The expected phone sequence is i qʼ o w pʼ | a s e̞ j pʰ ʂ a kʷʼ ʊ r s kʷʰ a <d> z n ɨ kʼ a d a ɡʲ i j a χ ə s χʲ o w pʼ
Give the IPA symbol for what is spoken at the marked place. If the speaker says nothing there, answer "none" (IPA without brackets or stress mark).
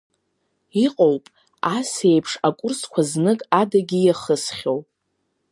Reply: none